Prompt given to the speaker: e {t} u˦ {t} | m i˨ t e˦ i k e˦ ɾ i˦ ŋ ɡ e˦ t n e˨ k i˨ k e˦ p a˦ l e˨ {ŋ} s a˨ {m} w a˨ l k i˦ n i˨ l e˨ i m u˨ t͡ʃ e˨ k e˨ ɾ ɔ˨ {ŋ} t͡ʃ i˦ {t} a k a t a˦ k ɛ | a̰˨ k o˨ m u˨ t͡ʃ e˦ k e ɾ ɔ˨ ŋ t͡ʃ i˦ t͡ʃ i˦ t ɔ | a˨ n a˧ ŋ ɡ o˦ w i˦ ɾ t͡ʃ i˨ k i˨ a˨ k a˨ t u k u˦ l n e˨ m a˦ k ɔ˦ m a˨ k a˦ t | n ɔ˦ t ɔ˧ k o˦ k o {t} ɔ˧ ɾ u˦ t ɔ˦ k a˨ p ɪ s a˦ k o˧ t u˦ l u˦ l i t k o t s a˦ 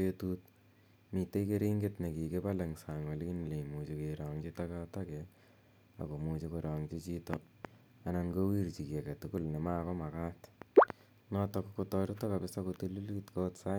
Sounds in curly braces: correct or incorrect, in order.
correct, correct, correct, incorrect: ŋ, correct, correct, correct

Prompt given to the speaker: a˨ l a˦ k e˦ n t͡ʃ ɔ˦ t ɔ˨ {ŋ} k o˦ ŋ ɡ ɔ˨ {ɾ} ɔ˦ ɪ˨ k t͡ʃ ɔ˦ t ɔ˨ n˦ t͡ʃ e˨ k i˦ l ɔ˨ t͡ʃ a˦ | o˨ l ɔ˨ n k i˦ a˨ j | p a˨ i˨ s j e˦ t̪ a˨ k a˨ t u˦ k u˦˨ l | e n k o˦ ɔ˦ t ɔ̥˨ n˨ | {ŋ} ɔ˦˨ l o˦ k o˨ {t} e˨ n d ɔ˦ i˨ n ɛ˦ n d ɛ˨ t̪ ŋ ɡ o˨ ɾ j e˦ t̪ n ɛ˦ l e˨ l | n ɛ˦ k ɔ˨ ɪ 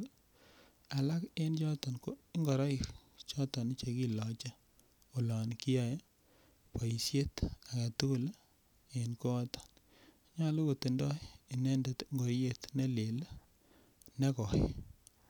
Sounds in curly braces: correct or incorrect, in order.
incorrect: n, correct, incorrect: ɲ, correct

